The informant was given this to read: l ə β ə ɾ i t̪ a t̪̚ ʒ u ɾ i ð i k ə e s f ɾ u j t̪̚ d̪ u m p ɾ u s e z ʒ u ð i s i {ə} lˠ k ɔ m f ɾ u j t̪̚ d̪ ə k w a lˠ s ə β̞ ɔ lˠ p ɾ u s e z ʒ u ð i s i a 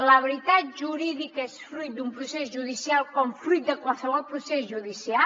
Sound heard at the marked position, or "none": a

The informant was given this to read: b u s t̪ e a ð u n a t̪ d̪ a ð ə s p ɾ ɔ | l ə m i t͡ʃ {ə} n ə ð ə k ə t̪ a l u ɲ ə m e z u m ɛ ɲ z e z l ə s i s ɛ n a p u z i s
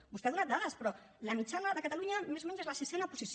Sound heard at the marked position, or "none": a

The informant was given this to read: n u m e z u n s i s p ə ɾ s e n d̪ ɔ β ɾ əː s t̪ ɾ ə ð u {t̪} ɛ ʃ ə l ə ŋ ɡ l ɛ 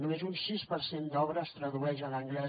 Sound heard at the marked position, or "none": none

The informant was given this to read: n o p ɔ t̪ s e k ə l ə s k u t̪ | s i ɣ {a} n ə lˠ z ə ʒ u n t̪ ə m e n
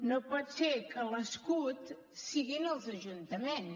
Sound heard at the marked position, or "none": i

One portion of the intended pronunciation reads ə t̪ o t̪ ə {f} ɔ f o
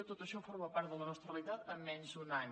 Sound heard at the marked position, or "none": ʃ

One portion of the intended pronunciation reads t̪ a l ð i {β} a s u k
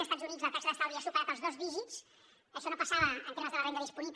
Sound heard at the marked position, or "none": none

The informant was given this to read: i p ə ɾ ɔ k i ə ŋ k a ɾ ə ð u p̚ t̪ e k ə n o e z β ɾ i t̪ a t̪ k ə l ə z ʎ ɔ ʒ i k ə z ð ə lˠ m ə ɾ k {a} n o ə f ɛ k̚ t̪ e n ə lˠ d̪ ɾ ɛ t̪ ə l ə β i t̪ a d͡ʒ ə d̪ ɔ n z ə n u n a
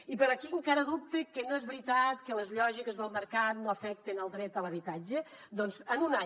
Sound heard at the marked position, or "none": a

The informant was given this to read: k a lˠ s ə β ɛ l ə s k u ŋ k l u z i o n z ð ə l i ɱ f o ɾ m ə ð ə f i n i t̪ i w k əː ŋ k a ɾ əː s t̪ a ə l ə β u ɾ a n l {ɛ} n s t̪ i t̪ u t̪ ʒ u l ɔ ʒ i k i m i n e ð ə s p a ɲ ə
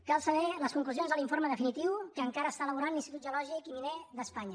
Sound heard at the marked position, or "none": i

